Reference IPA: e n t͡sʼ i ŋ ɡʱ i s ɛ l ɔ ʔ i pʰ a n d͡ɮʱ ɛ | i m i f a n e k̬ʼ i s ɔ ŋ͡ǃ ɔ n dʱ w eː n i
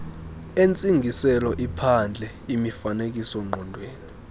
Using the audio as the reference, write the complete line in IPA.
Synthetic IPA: e n t͡sʼ i ŋ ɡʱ i s ɛ l ɔ ʔ i pʰ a n d͡ɮʱ ɛ | i m i f a n e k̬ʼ i s ɔ ŋ͡ǃ ɔ n dʱ w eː n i